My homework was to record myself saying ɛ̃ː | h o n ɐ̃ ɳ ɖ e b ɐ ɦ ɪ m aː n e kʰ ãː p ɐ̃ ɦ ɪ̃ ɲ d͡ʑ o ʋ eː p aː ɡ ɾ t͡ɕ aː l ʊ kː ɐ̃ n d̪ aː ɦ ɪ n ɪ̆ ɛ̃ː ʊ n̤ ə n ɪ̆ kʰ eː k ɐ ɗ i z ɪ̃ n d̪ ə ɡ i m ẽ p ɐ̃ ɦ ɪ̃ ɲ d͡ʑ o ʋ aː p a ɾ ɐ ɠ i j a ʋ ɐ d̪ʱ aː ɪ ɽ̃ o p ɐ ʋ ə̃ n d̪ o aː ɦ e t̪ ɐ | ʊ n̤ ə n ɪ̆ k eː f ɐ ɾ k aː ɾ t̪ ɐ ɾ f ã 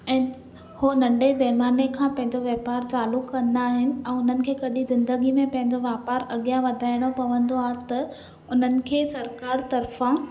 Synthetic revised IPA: ɛ̃ː | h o n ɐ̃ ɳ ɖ e b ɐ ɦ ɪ m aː n e kʰ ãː p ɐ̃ ɦ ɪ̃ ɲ d͡ʑ o ʋ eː p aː ɾ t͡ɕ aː l ʊ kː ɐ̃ n d̪ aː ɦ ɪ n ɪ̆ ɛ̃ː ʊ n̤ ə n ɪ̆ kʰ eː k ɐ ɗ i z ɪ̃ n d̪ ə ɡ i m ẽ p ɐ̃ ɦ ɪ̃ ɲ d͡ʑ o ʋ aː p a ɾ ɐ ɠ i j a ʋ ɐ d̪ʱ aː ɪ ɽ̃ o p ɐ ʋ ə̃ n d̪ o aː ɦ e t̪ ɐ | ʊ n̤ ə n ɪ̆ kʰ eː s ɐ ɾ k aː ɾ t̪ ɐ ɾ f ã